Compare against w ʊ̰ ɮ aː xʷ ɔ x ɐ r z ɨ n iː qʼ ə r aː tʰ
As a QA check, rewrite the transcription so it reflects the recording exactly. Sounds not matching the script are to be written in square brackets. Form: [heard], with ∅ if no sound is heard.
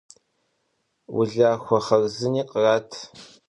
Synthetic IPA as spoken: w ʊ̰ ɮ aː xʷ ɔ [χ] ɐ r z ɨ n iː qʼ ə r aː tʰ